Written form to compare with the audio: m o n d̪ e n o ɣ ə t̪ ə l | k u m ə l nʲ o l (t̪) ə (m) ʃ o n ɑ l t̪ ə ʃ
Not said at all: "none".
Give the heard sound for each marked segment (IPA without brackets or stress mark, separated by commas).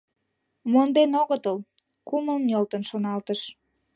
t̪, n